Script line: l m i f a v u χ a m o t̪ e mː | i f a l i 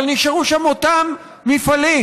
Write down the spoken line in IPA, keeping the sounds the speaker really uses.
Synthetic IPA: l n i ʃ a ʁ u ʃ a m o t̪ a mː | i f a l i